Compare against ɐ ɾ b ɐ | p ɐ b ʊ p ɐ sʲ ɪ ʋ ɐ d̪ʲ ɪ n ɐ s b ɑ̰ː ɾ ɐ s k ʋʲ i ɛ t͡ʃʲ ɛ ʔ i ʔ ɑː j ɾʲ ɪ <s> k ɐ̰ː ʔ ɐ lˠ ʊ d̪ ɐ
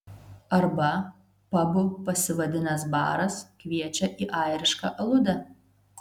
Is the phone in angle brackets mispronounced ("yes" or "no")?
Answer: yes